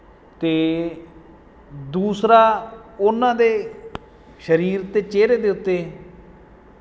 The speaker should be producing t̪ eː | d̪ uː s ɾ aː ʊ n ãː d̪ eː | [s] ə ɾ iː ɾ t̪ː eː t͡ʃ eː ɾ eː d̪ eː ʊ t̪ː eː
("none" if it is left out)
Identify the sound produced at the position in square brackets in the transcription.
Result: ʃ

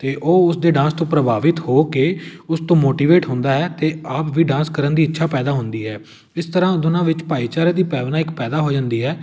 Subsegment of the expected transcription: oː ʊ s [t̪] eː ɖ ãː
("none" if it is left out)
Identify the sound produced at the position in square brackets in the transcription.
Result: d̪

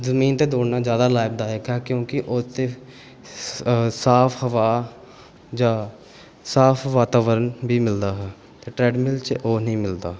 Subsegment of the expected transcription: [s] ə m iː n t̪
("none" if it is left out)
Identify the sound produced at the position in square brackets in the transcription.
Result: z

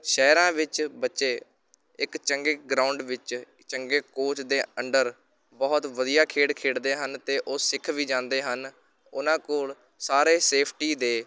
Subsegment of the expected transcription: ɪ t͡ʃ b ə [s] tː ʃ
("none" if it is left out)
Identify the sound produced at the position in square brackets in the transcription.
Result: none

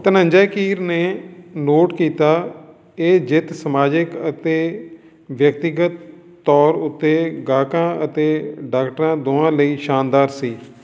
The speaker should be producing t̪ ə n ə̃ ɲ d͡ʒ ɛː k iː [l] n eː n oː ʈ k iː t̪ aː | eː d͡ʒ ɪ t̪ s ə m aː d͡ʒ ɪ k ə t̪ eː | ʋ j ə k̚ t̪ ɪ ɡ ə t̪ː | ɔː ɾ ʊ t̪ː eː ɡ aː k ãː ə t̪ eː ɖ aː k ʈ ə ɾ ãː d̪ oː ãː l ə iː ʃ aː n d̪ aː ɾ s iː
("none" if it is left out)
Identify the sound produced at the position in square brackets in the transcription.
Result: ɾ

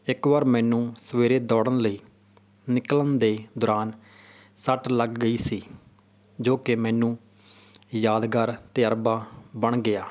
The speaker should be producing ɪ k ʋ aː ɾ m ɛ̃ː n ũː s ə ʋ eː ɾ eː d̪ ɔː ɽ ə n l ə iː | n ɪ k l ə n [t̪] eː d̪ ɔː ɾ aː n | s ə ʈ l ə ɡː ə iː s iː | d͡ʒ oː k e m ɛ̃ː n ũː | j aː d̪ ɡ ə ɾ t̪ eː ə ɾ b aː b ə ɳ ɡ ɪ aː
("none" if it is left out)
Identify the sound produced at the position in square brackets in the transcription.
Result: d̪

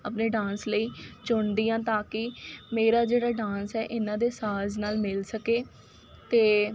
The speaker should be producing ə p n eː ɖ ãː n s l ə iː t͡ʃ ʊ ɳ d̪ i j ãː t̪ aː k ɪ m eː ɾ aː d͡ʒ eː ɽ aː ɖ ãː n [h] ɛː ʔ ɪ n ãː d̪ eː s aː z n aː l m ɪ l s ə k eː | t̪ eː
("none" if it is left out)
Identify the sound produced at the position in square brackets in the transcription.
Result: s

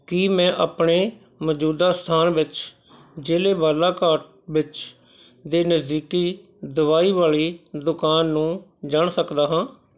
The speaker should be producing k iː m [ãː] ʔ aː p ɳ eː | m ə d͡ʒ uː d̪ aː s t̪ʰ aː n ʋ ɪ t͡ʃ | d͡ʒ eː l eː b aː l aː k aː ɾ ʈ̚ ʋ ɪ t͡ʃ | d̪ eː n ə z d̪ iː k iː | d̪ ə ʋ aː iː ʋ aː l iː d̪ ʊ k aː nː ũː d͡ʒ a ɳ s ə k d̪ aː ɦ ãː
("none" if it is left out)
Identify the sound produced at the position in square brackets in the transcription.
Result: ɛ̃ː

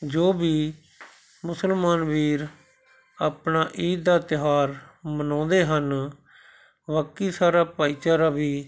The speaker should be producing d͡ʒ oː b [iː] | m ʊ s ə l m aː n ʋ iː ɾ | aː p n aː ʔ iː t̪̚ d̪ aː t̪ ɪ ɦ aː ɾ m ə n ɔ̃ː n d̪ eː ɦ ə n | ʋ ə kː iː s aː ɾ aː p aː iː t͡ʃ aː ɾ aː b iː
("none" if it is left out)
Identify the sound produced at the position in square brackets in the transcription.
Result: iː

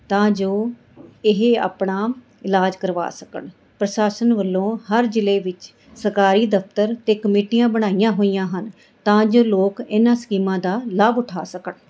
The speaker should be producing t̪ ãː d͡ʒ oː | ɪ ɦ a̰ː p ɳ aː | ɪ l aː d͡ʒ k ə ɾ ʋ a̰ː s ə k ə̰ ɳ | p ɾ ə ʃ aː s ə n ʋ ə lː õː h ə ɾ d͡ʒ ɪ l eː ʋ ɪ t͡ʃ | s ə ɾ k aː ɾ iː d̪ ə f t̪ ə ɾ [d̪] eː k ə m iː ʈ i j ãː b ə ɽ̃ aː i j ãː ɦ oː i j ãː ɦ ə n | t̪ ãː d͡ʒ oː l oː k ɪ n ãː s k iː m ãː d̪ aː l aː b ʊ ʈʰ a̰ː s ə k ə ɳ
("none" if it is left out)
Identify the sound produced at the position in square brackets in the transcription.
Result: t̪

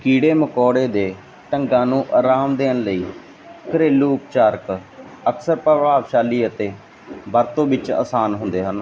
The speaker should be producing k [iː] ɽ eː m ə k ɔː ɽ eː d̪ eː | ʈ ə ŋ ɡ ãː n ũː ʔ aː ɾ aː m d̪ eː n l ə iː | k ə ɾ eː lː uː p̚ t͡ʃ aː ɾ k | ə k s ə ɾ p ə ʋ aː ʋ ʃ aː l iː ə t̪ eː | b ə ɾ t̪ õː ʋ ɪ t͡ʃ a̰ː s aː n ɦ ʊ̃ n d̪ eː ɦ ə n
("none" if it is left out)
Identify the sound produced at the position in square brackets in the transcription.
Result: iː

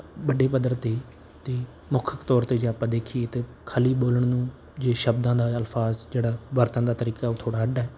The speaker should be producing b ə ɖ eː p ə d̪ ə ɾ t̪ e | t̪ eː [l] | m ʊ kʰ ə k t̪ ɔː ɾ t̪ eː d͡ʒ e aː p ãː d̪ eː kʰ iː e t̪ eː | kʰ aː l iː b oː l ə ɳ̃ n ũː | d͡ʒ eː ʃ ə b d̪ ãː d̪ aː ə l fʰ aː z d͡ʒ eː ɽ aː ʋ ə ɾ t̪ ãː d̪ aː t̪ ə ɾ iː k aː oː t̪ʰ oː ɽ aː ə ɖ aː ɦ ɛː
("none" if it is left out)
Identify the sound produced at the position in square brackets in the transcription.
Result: none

